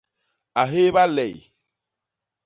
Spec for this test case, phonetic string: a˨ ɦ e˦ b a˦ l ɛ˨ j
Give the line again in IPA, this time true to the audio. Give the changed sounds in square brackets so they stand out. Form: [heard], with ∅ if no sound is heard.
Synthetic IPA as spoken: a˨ ɦ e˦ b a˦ l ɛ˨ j

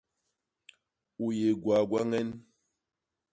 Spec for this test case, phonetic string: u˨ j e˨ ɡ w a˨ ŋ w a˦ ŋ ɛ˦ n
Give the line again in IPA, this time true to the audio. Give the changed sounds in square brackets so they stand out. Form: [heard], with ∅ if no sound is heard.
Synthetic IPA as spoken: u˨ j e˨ ɡ w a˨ [ɡ] w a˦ ŋ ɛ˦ n

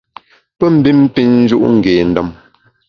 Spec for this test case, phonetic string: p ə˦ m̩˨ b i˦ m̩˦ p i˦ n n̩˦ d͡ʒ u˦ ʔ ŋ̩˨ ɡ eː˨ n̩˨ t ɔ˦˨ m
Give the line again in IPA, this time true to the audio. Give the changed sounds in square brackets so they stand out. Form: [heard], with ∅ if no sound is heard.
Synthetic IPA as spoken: p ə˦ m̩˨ b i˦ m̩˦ p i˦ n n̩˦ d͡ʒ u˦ ʔ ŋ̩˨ ɡ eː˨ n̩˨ [d] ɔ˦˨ m

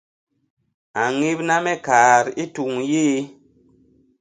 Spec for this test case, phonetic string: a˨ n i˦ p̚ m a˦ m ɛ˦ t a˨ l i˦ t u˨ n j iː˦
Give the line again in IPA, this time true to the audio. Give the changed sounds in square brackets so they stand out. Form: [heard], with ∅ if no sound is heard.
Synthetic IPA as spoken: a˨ [ŋ] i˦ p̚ [n] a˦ m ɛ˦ [k] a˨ [ɾ] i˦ t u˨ [ŋ] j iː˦

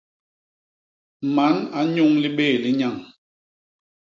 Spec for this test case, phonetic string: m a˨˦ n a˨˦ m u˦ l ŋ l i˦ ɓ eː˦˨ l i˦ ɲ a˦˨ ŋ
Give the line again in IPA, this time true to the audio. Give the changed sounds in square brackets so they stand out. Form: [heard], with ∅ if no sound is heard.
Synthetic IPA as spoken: m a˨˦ n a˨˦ [ɲ] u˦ [∅] ŋ l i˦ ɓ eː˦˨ l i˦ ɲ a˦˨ ŋ

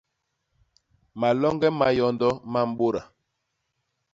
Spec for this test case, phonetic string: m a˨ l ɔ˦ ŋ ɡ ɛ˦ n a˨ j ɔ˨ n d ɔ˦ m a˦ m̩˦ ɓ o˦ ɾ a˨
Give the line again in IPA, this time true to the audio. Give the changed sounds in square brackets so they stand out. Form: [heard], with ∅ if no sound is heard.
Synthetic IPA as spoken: m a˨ l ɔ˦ ŋ ɡ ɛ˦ [m] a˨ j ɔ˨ n d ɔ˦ m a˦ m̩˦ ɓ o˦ ɾ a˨

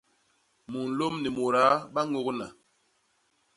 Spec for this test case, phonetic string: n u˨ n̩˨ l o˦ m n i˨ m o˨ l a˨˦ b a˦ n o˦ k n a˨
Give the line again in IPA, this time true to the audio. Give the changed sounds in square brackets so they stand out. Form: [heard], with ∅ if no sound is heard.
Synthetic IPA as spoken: [m] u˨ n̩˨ l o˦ m n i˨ m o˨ [ɾ] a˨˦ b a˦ [ŋ] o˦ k n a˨

